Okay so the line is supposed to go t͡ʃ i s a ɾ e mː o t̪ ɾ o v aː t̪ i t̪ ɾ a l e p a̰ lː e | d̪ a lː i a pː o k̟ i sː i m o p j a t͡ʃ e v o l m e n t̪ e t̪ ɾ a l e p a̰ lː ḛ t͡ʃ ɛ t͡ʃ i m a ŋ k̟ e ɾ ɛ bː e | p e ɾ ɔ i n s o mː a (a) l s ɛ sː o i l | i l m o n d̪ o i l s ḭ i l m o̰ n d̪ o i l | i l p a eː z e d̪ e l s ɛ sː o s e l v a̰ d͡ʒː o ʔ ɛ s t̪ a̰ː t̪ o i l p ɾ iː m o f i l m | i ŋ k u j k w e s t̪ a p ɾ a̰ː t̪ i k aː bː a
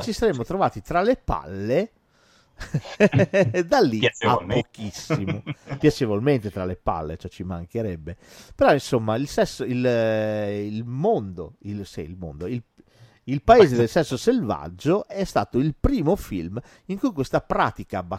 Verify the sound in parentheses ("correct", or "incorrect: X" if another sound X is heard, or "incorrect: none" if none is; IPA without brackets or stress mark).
incorrect: i